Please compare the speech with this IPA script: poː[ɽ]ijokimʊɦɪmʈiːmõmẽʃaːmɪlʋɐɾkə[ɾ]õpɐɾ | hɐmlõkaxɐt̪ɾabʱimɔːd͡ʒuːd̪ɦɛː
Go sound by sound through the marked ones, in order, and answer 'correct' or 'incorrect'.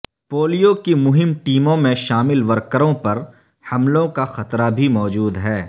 incorrect: l, correct

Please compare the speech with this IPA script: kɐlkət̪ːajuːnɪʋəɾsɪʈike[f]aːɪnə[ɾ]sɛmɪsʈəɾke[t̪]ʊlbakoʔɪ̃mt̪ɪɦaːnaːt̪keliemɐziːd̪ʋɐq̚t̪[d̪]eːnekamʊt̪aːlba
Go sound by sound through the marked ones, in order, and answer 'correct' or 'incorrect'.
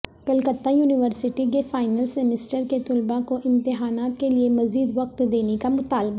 correct, incorrect: l, correct, correct

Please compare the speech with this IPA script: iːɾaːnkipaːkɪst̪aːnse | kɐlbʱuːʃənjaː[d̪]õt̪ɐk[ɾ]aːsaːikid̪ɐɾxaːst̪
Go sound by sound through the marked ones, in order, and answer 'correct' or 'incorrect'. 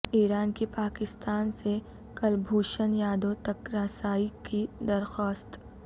correct, correct

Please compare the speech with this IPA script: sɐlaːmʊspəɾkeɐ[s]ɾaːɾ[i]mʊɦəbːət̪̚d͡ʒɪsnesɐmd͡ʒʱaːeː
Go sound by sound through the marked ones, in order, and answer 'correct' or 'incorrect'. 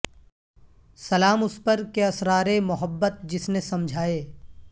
correct, incorrect: e

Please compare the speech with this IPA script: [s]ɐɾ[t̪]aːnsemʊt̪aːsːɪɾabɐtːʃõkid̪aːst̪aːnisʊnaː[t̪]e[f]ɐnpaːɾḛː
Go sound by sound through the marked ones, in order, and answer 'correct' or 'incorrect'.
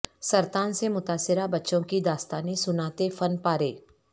correct, correct, correct, correct

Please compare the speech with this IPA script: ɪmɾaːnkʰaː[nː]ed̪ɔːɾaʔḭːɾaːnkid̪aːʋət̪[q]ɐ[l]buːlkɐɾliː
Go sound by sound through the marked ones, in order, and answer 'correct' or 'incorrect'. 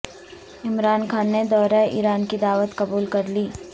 correct, incorrect: k, incorrect: none

